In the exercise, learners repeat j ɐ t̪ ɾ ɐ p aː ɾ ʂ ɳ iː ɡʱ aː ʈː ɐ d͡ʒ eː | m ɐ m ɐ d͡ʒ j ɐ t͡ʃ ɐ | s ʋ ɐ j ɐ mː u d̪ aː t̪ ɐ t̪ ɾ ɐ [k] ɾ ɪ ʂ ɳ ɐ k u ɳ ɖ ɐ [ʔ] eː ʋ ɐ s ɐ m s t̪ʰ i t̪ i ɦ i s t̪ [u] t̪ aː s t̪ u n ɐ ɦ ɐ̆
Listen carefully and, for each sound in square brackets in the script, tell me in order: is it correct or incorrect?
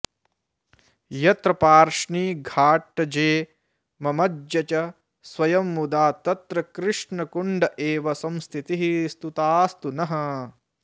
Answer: correct, correct, correct

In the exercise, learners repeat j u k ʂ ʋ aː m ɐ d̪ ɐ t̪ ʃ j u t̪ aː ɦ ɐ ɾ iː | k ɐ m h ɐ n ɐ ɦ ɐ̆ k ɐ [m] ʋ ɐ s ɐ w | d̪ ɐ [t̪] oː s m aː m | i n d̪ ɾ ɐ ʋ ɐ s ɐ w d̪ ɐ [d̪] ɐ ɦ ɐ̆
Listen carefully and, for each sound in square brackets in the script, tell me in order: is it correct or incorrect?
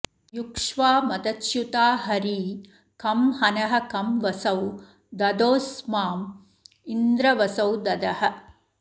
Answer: correct, incorrect, correct

